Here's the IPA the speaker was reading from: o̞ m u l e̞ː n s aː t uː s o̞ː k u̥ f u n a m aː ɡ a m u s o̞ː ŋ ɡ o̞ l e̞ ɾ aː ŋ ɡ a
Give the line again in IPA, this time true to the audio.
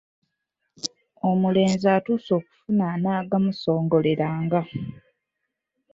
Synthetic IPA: o̞ m u l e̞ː n z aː t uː s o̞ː k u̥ f u n a n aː ɡ a m u s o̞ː ŋ ɡ o̞ l e̞ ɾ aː ŋ ɡ a